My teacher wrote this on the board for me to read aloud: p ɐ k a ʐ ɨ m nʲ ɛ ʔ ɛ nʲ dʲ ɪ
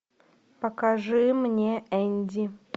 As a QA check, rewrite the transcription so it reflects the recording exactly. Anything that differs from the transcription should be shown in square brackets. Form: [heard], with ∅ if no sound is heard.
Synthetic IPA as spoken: p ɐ k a ʐ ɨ m nʲ [e] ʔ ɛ nʲ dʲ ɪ